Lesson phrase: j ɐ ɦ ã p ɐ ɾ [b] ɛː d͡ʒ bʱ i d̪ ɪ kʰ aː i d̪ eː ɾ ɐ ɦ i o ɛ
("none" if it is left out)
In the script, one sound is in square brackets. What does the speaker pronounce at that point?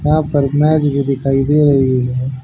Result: m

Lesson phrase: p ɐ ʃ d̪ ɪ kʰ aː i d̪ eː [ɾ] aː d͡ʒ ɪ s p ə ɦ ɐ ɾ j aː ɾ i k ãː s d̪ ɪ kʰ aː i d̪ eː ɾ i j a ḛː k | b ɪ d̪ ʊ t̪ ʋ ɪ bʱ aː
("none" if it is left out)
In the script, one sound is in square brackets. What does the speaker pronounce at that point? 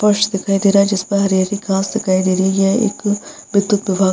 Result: ɾ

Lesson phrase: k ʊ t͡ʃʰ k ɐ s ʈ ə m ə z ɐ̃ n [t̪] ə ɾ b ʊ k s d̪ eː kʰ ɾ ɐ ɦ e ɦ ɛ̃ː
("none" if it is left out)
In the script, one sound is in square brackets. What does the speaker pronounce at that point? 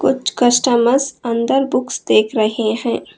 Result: d̪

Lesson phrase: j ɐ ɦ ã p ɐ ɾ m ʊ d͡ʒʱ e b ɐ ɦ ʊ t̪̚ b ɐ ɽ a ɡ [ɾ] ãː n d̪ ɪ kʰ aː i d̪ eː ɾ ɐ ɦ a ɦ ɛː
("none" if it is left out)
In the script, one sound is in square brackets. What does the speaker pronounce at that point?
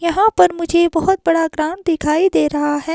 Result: ɾ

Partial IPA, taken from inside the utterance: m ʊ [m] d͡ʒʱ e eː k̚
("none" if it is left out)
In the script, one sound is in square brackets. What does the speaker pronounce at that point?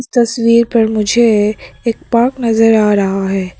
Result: none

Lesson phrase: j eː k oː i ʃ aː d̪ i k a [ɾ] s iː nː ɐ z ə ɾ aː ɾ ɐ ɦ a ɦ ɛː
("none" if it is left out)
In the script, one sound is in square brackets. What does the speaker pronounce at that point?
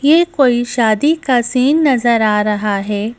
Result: none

